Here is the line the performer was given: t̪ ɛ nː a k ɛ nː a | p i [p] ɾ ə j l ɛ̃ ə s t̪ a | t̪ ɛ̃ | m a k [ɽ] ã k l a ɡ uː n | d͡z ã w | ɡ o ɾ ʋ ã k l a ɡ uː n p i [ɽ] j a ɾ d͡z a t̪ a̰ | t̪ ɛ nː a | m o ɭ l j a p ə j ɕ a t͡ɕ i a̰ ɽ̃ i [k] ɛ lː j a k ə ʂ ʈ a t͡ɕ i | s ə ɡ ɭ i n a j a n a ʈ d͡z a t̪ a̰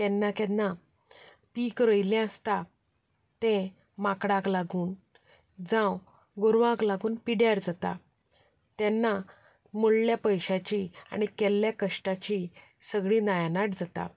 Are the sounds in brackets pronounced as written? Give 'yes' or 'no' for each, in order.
no, yes, yes, yes

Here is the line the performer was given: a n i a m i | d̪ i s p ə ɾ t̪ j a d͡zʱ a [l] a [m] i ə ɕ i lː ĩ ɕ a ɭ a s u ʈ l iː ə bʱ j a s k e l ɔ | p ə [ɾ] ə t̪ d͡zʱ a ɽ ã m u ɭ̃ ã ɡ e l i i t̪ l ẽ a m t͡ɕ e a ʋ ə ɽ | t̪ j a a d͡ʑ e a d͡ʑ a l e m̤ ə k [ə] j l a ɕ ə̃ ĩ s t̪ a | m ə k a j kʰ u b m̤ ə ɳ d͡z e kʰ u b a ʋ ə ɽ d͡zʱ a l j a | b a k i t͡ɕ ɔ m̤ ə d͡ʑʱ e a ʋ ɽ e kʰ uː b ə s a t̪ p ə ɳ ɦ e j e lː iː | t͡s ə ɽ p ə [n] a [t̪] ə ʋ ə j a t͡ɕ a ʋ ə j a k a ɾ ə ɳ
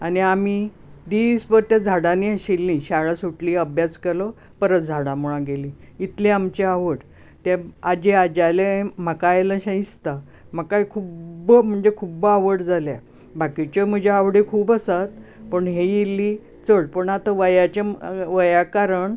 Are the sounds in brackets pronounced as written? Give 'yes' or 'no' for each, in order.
no, no, yes, no, no, yes

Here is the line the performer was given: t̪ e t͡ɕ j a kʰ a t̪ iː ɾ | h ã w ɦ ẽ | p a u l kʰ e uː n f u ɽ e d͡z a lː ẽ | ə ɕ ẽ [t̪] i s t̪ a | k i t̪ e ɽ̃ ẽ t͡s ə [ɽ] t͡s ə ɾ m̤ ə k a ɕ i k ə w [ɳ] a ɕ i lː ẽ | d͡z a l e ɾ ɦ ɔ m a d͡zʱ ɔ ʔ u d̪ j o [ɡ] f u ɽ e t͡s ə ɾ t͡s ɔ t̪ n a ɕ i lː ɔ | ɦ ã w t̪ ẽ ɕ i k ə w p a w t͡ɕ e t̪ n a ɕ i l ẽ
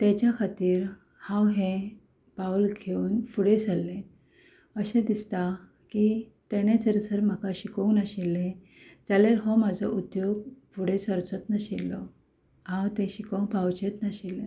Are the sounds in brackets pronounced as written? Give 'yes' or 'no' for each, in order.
no, no, no, yes

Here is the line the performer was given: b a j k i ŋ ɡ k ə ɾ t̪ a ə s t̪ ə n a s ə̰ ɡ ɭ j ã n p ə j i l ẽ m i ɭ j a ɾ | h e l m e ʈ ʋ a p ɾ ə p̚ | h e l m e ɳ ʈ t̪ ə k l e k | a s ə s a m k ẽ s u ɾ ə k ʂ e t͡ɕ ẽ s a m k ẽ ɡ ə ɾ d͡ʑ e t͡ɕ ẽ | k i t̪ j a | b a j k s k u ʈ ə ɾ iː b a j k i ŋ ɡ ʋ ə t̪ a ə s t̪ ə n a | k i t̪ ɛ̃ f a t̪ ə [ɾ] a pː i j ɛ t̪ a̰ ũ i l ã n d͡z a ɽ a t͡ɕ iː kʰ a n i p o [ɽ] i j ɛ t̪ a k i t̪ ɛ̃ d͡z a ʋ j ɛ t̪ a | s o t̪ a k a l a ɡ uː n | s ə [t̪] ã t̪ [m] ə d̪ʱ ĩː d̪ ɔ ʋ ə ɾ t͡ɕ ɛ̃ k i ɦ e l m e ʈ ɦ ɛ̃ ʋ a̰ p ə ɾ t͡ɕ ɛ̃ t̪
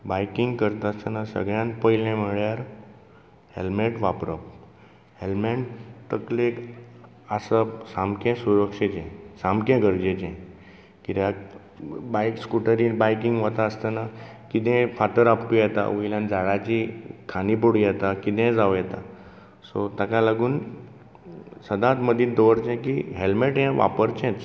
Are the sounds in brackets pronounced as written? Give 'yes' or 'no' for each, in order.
yes, yes, no, yes

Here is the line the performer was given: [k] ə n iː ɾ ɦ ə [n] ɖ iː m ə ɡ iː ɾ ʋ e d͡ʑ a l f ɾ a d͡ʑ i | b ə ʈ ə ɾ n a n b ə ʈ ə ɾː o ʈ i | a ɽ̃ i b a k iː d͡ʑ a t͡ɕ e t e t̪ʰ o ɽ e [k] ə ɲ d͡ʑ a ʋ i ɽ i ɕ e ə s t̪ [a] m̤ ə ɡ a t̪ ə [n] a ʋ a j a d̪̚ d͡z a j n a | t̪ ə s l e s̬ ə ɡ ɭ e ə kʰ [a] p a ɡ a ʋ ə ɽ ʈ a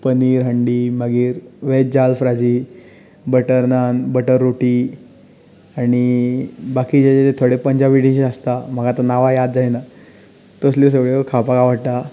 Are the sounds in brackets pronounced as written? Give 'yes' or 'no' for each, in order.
no, no, no, yes, yes, yes

